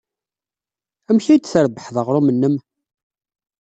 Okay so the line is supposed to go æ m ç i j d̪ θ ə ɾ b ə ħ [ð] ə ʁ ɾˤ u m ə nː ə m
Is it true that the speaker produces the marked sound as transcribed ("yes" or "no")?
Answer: yes